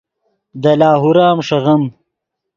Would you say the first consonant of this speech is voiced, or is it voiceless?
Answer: voiced